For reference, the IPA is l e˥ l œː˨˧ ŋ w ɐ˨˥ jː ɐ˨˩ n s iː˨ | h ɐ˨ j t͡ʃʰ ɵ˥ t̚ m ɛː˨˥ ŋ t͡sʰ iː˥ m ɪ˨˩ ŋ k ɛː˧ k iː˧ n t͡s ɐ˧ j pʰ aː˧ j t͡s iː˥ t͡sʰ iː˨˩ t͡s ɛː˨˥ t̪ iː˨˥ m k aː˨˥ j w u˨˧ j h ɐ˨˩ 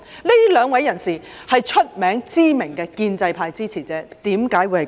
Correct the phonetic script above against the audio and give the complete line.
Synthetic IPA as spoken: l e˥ l œː˨˧ ŋ w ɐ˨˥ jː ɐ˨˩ n s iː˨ | h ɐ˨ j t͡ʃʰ ɵ˥ t̚ m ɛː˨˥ ŋ t͡s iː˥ m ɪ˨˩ ŋ k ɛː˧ k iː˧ n t͡s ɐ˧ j pʰ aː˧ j t͡s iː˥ t͡sʰ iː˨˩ t͡s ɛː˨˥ t̪ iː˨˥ m k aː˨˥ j w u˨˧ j h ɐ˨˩

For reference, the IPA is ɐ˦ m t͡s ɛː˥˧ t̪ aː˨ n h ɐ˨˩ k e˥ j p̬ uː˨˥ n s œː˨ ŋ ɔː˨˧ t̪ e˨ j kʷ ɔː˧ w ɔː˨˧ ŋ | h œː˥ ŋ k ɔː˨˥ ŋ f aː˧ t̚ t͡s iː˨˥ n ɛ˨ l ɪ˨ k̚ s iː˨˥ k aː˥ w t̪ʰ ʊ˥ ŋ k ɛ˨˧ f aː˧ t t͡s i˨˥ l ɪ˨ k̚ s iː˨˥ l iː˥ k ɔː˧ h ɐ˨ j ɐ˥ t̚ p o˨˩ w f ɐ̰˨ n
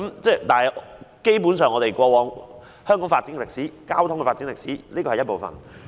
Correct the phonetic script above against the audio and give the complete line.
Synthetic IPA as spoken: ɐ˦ m t͡s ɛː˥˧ t̪ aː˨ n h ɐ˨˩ k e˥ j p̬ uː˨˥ n s œː˨ ŋ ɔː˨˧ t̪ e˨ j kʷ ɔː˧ w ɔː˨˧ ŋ | h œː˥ ŋ k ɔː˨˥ ŋ f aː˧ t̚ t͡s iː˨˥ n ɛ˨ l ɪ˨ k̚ s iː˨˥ k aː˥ w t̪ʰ ʊ˥ ŋ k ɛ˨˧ f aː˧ t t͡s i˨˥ l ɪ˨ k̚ s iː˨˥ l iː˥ k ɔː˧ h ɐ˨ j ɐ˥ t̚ p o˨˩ w f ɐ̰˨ n

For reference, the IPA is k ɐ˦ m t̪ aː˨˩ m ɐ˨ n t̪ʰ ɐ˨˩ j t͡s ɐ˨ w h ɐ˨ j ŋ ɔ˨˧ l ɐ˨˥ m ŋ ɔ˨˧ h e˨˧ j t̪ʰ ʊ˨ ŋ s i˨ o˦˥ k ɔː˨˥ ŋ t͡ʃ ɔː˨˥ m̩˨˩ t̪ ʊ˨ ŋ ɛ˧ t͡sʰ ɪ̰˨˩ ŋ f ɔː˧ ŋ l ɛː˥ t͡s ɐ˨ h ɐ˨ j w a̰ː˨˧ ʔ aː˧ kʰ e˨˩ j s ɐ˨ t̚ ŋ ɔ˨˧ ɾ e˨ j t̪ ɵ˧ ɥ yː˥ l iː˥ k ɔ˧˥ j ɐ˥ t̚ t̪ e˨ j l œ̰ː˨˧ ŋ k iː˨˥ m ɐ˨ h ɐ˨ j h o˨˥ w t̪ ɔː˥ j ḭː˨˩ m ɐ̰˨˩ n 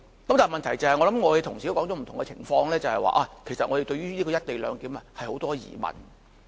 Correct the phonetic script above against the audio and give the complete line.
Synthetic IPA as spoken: k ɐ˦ m t̪ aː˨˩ m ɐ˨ n t̪ʰ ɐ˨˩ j t͡s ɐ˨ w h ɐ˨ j ŋ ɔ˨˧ l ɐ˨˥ m ŋ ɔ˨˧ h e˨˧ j t̪ʰ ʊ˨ ŋ s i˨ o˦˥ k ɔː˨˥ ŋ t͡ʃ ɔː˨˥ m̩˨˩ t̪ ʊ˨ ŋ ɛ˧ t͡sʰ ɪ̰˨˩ ŋ f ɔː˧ ŋ l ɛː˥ t͡s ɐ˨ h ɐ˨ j w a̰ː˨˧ ʔ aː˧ kʰ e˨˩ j s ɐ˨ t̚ ŋ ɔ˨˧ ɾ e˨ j t̪ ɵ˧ ɥ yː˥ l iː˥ k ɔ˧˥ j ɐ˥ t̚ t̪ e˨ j l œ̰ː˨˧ ŋ k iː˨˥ m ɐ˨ h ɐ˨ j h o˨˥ w t̪ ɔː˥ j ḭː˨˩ m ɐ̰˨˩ n

